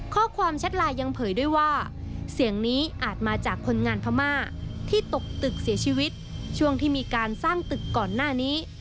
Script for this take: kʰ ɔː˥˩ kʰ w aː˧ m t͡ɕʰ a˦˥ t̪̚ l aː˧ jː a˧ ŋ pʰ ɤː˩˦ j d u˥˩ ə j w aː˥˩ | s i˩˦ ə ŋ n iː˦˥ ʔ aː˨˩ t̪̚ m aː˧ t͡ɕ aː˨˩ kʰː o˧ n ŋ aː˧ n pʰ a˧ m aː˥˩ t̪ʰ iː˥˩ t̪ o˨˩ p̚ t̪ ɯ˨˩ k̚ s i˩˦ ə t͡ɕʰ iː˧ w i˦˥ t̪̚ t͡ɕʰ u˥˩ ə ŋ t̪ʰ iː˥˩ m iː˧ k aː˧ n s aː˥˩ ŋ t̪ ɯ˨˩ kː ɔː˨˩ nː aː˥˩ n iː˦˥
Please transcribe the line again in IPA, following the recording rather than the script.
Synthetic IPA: kʰ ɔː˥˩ kʰ w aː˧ m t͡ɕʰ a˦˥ t̪̚ l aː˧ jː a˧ ŋ pʰ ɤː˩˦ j d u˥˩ ə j w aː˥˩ | s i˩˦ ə ŋ n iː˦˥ ʔ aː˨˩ t̪̚ m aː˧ t͡ɕ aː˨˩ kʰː o˧ n ŋ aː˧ n pʰ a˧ m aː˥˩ t̪ʰ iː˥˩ t̪ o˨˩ k̚ t̪ ɯ˨˩ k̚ s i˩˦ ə t͡ɕʰ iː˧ w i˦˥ t̪̚ t͡ɕʰ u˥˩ ə ŋ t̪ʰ iː˥˩ m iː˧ k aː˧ n s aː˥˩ ŋ t̪ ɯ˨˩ kː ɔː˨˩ nː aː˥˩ n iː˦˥